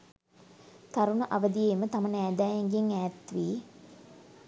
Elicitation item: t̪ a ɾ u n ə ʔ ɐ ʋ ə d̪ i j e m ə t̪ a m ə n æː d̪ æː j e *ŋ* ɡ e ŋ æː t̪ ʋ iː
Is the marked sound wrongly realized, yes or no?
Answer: no